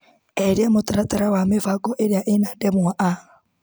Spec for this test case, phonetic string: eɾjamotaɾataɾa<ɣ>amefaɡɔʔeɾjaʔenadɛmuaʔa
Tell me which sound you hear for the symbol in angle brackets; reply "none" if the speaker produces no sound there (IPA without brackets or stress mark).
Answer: w